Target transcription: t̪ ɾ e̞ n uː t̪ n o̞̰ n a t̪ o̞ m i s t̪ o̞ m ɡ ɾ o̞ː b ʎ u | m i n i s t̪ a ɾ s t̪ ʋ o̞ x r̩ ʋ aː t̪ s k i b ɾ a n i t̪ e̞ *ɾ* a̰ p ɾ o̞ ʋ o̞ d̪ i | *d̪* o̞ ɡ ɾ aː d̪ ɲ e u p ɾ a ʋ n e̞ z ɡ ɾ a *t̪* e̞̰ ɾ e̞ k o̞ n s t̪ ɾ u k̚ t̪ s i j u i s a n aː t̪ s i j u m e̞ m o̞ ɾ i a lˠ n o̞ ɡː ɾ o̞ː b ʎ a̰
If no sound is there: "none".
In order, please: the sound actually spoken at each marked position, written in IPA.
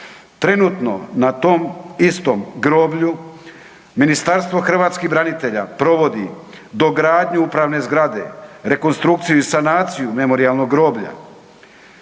ʎ, d̪, d̪

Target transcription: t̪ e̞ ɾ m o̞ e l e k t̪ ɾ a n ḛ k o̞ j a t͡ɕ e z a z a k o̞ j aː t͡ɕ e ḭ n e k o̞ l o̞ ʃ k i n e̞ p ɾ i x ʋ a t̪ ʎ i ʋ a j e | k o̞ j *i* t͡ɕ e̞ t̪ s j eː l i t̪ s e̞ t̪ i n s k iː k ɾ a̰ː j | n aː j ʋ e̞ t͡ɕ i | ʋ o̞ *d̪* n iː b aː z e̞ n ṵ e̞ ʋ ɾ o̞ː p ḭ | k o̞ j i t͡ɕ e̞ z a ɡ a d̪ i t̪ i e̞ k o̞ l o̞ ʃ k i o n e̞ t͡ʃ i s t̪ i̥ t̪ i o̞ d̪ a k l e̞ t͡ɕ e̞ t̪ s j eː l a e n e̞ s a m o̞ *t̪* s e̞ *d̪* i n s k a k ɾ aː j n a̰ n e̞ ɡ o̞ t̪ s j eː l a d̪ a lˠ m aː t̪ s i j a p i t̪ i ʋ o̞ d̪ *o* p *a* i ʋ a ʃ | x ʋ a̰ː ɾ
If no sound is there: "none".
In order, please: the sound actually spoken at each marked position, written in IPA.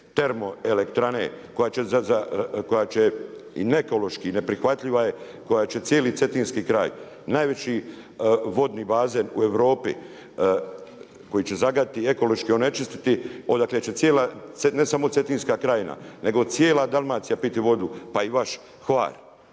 a, d̪, t̪, t̪, u, a

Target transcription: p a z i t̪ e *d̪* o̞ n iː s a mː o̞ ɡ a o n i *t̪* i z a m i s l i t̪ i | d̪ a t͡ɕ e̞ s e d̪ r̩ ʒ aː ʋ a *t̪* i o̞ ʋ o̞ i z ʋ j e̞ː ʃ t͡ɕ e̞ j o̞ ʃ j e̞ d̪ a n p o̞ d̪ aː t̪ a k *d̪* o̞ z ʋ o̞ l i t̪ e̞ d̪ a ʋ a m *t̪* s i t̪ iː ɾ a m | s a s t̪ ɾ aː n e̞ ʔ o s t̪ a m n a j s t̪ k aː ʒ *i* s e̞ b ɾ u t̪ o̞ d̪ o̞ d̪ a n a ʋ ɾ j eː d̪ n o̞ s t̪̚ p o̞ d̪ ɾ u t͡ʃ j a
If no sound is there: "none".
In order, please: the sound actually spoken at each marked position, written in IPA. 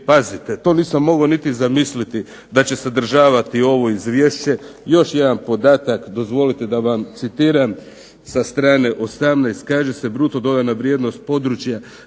t̪, t̪, t̪, d̪, t̪, e

